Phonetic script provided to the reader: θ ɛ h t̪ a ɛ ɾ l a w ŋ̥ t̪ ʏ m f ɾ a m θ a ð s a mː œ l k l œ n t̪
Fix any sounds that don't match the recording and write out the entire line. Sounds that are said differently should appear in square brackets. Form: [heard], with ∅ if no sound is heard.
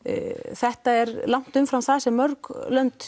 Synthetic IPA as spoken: θ ɛ h t̪ a ɛ ɾ l a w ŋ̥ t̪ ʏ m f ɾ a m θ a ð s [ɛ] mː œ [ɾ] k l œ n t̪